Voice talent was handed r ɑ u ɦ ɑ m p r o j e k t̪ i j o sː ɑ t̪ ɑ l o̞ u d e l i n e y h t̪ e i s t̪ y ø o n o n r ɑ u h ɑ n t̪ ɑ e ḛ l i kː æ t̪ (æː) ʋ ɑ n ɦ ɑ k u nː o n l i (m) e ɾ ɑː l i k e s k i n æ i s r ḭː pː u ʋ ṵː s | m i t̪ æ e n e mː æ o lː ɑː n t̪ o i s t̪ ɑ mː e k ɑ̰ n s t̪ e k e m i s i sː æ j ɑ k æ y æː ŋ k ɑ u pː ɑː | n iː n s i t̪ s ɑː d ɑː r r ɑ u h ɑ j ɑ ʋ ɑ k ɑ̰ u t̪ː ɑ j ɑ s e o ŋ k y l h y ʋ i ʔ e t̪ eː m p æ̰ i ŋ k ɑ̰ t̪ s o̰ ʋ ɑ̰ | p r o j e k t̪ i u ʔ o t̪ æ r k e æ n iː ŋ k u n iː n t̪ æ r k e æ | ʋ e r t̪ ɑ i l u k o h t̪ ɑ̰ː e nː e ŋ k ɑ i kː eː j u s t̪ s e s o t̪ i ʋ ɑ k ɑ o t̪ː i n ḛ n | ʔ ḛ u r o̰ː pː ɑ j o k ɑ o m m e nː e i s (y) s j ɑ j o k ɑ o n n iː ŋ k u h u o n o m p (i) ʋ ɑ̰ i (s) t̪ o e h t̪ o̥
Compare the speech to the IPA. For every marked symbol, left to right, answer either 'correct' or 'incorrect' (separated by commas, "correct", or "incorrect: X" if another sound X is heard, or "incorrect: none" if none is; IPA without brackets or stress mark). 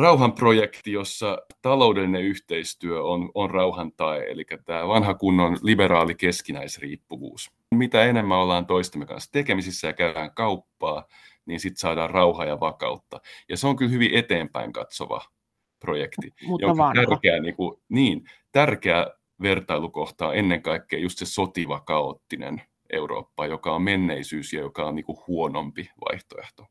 correct, incorrect: b, incorrect: yː, correct, incorrect: h